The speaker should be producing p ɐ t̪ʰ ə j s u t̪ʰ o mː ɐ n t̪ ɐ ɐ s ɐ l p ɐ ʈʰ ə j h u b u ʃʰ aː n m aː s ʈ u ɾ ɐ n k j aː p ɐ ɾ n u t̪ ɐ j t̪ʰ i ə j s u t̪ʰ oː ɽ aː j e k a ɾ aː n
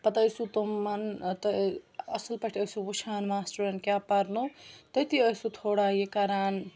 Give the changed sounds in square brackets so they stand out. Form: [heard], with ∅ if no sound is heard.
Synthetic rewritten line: p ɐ [t̪] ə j s u [t̪] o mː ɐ n t̪ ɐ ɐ s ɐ l p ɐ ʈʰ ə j [s] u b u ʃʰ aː n m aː s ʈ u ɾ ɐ n k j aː p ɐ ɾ n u t̪ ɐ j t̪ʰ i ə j s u t̪ʰ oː ɽ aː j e k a ɾ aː n